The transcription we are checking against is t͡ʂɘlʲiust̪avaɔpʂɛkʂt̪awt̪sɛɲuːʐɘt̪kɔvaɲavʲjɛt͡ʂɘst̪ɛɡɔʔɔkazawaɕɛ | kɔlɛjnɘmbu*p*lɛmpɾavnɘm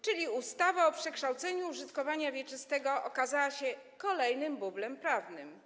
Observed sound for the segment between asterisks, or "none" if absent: b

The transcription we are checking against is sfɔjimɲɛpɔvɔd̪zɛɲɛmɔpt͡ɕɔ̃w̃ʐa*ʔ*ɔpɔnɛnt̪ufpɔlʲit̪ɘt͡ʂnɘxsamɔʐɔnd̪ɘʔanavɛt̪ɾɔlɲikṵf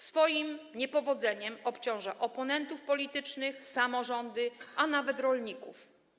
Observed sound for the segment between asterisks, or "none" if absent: ʔ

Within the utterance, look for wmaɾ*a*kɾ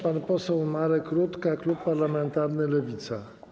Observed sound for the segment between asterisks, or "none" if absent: ɛ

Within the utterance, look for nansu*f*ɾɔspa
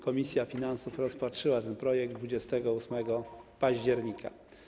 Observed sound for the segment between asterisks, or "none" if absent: f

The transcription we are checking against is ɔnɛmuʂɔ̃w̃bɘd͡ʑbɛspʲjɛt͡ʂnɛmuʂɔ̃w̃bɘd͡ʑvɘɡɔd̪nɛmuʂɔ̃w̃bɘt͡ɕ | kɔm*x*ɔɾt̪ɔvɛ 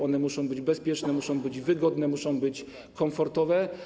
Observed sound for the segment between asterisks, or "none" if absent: f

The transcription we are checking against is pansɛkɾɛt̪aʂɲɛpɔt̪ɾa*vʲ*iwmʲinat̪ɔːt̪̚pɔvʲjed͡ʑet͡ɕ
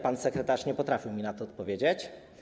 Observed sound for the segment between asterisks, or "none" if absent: fʲ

